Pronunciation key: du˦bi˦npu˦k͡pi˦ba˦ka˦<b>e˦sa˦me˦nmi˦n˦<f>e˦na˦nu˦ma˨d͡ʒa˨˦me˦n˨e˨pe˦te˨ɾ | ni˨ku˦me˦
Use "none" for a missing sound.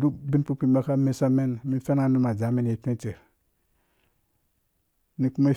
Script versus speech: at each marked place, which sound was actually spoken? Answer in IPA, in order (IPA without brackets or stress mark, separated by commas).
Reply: m, f